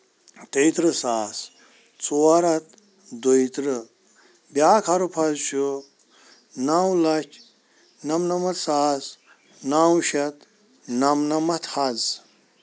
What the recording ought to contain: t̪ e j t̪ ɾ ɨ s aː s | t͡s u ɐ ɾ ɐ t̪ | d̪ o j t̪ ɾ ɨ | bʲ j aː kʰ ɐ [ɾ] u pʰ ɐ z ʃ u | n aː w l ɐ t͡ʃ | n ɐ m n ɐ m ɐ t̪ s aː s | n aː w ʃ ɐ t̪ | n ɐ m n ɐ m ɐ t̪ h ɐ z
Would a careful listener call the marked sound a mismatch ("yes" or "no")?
no